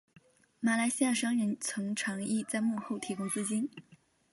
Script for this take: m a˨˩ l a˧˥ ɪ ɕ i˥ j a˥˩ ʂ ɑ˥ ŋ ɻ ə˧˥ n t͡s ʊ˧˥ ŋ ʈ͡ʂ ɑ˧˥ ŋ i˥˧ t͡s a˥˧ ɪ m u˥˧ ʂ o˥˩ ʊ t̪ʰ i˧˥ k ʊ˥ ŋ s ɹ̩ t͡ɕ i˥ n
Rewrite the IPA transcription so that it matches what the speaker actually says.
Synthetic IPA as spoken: m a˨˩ l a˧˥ ɪ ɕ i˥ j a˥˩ ʂ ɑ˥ ŋ ɻ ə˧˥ n t͡sʰ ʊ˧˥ ŋ ʈ͡ʂʰ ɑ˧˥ ŋ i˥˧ t͡s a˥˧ ɪ m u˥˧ x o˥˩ ʊ t̪ʰ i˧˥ k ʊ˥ ŋ t͡s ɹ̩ t͡ɕ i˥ n